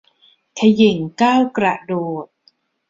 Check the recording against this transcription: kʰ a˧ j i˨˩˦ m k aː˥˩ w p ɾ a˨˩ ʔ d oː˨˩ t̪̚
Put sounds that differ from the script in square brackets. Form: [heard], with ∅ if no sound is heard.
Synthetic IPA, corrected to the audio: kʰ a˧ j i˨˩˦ [ŋ] k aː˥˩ w [k] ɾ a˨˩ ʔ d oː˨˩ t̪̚